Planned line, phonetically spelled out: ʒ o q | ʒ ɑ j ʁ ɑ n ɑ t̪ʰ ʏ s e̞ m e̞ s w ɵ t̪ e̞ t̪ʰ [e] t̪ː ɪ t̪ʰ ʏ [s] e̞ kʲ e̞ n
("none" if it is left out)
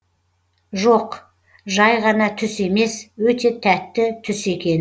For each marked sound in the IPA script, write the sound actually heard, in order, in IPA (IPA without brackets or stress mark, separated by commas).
æ, s